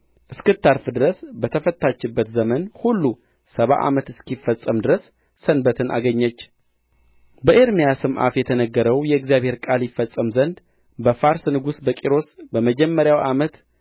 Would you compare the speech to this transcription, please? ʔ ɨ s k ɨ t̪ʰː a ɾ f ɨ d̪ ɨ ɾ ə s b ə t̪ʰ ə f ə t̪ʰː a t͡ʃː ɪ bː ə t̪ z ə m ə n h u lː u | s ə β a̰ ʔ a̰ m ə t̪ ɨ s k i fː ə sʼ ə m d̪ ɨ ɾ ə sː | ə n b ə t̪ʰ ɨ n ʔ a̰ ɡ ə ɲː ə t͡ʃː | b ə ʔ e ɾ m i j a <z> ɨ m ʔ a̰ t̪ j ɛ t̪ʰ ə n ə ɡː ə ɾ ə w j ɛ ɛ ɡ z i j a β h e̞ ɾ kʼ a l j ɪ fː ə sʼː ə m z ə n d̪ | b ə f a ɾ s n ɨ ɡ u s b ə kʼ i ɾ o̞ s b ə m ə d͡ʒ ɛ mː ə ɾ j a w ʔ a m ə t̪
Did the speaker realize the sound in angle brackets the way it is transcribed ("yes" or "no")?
no